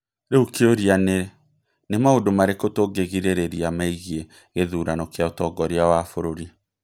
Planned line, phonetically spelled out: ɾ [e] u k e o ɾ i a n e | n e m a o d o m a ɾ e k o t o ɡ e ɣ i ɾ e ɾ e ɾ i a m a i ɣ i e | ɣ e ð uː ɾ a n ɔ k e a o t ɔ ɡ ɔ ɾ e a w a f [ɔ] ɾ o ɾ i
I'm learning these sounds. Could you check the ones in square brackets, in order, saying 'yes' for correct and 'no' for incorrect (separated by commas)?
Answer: yes, no